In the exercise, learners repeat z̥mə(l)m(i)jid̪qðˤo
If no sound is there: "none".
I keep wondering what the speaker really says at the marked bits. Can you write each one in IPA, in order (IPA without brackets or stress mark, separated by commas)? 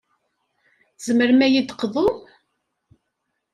ɾ, æ